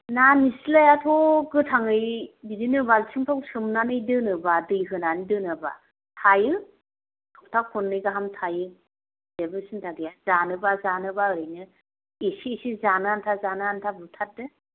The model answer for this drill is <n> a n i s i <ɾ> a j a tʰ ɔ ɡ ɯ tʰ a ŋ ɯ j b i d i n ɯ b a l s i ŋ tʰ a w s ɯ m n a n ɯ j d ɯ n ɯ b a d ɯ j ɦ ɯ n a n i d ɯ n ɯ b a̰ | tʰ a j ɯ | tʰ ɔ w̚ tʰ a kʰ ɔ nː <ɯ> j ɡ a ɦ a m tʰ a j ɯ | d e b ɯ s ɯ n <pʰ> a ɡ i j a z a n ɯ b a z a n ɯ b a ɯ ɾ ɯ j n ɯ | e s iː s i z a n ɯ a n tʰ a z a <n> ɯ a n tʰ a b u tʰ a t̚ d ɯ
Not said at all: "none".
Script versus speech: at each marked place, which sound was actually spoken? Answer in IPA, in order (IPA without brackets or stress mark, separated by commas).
n, l, ɯ, tʰ, n